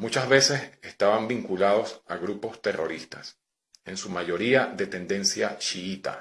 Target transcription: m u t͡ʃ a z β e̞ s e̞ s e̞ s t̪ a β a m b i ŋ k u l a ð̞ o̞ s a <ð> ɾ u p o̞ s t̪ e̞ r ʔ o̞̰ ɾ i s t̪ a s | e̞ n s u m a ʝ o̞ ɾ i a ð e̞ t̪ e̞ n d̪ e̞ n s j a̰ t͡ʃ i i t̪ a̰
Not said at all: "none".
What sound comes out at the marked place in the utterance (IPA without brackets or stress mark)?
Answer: ɣ